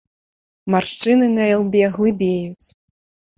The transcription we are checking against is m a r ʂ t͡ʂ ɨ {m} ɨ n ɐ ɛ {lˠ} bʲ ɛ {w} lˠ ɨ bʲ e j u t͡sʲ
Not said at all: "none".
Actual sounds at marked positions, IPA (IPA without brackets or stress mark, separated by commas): n, lˠ, ɣ